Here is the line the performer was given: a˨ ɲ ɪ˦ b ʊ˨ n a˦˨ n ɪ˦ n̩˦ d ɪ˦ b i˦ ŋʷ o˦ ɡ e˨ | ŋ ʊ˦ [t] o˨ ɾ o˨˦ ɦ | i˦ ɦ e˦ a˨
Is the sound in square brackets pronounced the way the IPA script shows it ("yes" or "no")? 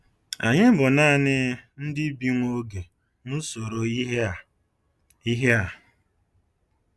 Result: no